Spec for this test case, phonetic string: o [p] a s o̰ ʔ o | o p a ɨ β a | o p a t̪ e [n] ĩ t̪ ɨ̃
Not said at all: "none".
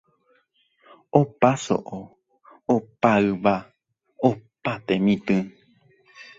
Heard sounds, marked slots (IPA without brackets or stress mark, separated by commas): p, m